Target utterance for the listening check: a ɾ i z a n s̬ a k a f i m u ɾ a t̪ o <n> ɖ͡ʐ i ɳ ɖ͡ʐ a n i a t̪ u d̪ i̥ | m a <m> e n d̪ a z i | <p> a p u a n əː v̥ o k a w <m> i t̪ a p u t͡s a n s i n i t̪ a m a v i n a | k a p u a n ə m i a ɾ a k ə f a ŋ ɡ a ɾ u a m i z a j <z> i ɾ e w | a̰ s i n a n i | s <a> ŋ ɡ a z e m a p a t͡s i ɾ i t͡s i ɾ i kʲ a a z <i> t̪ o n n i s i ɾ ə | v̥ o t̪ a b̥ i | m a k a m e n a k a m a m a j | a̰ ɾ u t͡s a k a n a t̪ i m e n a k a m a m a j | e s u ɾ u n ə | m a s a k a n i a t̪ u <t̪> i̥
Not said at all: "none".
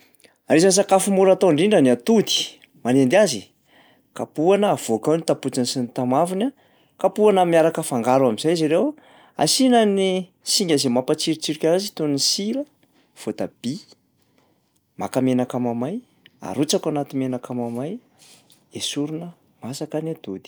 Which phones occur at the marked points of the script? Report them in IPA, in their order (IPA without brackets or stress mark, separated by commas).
ɳ, n, k, n, z, i, i, d̪